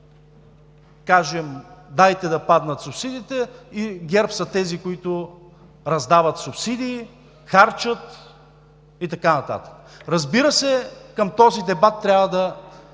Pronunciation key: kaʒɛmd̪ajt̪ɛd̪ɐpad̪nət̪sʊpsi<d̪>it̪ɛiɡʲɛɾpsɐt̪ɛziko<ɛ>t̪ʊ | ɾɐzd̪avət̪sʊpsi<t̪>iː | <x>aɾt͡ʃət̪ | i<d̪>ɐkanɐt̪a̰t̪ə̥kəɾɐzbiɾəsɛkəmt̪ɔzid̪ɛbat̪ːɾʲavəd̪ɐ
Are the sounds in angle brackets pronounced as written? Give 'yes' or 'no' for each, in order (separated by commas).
yes, no, no, yes, no